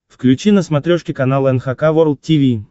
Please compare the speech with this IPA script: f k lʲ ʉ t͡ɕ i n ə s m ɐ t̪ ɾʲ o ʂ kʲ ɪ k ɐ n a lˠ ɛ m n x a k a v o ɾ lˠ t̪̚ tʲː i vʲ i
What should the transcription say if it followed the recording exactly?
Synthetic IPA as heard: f k lʲ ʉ t͡ɕ i n ə s m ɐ t̪ ɾʲ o ʂ kʲ ɪ k ɐ n a lˠ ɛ n x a k a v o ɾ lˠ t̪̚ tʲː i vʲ i